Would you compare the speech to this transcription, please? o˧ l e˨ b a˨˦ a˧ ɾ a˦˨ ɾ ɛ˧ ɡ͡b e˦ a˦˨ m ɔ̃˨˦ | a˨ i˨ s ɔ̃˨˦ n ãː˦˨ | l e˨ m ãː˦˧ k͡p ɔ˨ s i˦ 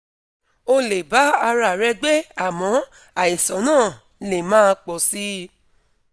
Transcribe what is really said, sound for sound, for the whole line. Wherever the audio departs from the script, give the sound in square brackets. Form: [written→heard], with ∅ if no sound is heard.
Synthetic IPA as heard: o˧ l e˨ b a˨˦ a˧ ɾ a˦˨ ɾ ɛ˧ ɡ͡b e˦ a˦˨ m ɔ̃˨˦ | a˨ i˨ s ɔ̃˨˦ n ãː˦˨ | l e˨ m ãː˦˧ k͡p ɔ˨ s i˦

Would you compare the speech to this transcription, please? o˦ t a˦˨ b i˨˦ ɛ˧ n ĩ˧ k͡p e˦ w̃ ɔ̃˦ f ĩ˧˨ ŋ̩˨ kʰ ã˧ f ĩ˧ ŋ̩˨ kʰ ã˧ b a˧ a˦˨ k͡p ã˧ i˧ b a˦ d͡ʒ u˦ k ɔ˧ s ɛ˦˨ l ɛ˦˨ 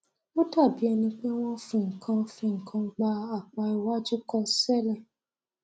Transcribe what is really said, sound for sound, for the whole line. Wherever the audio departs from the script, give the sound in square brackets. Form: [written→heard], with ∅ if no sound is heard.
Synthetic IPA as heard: o˦ t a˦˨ b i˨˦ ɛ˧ n ĩ˧ k͡p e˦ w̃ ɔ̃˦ f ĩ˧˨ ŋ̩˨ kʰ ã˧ f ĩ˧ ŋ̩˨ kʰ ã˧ [b→ɡ͡b] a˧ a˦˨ k͡p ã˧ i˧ [b→w] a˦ d͡ʒ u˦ k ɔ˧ s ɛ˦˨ l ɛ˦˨

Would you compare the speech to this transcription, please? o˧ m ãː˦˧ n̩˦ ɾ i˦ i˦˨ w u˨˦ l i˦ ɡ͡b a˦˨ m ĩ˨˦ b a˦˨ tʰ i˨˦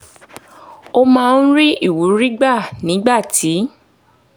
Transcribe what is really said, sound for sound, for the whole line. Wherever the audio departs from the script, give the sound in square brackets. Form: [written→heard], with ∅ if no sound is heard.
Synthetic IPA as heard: o˧ m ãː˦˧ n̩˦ ɾ i˦ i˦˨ w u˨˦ [l→ɾ] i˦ ɡ͡b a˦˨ [m→n] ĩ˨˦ [b→ɡ͡b] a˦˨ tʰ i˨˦

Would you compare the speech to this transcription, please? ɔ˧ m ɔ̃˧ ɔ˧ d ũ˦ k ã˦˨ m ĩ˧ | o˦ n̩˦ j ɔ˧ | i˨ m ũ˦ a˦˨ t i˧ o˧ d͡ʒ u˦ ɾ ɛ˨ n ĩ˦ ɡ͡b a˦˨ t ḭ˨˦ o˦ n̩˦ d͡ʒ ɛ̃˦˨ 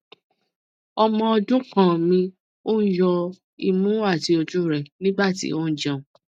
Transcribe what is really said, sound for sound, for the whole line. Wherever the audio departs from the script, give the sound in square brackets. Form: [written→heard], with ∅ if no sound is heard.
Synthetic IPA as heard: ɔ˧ m ɔ̃˧ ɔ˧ d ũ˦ k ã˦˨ m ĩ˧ | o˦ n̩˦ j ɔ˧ | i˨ m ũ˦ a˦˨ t i˧ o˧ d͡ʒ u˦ ɾ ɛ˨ n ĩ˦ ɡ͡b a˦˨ t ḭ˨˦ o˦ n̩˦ d͡ʒ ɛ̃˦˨

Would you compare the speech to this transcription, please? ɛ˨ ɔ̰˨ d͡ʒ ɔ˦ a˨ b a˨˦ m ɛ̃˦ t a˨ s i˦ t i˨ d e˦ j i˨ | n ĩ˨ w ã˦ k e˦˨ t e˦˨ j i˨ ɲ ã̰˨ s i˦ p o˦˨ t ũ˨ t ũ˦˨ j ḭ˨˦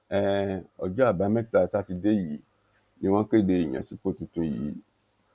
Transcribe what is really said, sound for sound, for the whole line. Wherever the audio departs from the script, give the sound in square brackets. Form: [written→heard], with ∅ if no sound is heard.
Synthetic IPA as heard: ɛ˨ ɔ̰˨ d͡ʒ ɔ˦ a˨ b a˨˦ m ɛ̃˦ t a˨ s [i˦→a˦] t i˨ d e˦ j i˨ | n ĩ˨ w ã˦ k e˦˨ [t→d] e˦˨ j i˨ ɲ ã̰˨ s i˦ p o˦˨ t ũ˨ t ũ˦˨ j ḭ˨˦

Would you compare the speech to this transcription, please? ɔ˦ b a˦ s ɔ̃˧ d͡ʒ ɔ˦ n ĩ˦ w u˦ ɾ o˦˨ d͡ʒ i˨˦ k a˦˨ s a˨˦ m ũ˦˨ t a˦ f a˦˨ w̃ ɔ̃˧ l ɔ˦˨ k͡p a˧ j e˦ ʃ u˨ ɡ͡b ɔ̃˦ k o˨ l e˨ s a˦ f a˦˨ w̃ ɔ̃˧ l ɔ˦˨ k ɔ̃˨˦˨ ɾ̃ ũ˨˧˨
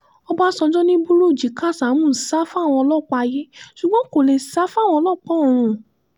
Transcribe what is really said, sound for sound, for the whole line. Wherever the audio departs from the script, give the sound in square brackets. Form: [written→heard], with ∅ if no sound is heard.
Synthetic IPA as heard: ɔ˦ b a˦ s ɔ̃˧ d͡ʒ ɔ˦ n ĩ˦ [w→b] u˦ ɾ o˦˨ d͡ʒ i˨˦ k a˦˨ s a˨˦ m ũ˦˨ [t→s] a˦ f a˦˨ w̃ ɔ̃˧ l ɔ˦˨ k͡p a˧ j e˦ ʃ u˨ ɡ͡b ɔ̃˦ k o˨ l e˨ s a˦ f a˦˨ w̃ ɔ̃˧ l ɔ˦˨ [k→k͡p] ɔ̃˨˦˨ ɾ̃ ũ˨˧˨

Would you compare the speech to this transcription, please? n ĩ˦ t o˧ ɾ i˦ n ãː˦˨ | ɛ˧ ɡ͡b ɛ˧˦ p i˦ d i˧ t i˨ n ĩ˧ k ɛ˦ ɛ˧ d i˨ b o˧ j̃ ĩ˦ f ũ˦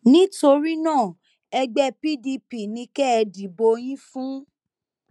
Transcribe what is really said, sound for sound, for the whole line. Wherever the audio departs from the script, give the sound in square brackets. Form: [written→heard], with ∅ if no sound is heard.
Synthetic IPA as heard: n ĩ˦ t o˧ ɾ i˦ n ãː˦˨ | ɛ˧ ɡ͡b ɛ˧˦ p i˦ d i˧ [t→p] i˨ n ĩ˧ k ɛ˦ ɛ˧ d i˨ b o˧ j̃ ĩ˦ f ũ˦

